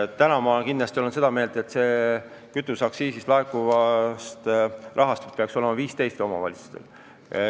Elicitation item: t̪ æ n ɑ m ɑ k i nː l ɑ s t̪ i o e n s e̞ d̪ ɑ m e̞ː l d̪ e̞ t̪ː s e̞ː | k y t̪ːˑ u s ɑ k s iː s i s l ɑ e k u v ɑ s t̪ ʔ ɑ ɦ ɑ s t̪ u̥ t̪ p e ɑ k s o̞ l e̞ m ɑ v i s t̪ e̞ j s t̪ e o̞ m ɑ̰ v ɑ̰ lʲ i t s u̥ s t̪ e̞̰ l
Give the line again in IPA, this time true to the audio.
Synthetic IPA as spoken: t̪ æ n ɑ m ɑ k i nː l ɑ s t̪ i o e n s e̞ d̪ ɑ m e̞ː l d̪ e̞ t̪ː s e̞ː | k y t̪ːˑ u s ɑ k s iː s i s l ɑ e k u v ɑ s t̪ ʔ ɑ ɦ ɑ s t̪ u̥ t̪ p e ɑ k s o̞ l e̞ m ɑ v iː s t̪ e̞ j s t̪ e o̞ m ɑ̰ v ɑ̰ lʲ i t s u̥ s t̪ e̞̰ l